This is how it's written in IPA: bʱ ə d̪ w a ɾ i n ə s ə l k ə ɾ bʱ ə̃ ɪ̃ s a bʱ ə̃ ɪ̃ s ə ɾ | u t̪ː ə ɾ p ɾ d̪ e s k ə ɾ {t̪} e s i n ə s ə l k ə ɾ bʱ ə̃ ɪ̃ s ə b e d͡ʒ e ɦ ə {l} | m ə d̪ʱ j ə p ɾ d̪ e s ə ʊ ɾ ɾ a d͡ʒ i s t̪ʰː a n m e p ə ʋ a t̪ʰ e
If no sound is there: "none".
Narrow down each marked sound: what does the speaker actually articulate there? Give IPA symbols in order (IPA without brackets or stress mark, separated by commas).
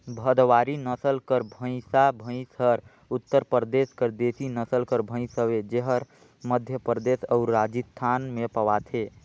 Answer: d̪, ɾ